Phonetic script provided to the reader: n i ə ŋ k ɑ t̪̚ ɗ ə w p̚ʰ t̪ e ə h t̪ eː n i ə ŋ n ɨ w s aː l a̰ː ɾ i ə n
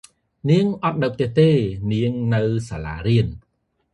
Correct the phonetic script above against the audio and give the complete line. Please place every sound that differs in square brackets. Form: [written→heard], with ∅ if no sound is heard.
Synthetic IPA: n i ə ŋ [k→ʔ] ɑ t̪̚ ɗ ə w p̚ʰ t̪ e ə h t̪ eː n i ə ŋ n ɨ w s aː l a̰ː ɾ i ə n